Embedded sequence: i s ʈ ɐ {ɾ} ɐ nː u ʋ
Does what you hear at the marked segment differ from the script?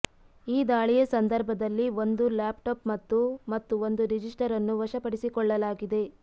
no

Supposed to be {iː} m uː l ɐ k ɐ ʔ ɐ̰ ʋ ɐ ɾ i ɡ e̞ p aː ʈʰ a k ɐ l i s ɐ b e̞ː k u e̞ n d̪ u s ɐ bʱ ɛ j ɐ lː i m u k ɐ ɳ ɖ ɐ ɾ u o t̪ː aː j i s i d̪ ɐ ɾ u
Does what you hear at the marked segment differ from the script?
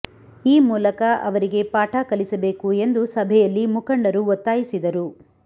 no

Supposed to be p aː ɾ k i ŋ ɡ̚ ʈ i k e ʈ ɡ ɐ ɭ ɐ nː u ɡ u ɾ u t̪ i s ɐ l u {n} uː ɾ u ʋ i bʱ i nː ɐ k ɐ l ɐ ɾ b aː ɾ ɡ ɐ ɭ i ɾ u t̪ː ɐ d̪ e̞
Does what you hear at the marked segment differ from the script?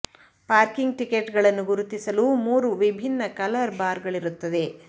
yes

